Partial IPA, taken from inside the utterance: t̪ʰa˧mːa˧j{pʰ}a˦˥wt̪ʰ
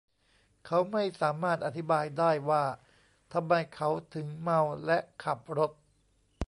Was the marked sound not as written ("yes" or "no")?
yes